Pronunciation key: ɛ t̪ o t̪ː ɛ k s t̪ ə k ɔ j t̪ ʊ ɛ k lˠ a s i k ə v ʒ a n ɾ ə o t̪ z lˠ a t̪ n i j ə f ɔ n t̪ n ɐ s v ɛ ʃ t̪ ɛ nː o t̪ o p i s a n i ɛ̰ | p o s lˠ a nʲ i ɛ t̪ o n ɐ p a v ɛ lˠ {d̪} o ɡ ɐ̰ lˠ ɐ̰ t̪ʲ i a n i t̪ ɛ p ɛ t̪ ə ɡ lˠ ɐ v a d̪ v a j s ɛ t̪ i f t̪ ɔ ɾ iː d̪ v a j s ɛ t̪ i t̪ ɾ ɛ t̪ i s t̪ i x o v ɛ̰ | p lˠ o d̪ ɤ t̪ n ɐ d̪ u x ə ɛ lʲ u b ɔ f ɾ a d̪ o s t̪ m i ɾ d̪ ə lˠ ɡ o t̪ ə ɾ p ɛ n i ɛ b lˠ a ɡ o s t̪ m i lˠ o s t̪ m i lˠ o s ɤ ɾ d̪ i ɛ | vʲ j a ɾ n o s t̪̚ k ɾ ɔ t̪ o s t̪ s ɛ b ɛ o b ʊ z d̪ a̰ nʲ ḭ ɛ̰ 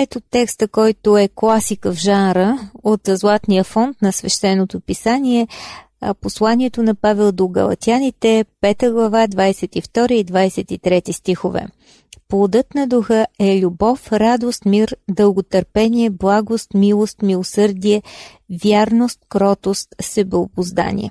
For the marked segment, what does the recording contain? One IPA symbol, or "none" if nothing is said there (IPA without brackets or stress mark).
d̪